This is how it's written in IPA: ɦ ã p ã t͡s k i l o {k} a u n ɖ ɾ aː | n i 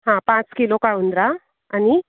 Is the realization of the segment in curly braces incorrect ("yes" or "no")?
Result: no